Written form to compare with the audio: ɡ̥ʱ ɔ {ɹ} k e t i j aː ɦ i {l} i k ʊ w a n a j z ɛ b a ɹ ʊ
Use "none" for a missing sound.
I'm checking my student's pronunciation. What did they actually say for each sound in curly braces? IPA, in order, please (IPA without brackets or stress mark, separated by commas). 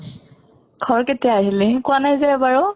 ɹ, l